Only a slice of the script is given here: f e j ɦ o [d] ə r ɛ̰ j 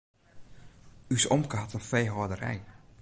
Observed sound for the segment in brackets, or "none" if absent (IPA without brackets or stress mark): d